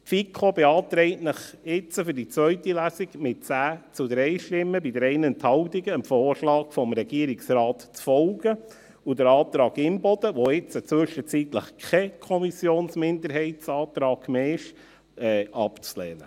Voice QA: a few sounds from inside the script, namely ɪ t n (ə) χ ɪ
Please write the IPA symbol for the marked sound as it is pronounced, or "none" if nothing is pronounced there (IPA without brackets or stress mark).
ə